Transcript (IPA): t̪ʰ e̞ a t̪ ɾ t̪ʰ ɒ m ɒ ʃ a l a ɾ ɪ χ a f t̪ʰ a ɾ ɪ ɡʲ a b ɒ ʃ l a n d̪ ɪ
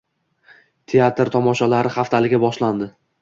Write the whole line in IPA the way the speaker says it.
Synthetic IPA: t̪ʰ e̞ a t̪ ɾ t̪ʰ ɒ m ɒ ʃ a l a ɾ ɪ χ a f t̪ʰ a l ɪ ɡʲ a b ɒ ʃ l a n d̪ ɪ